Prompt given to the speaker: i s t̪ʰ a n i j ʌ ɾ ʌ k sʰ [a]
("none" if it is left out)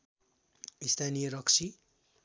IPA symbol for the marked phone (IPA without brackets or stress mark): i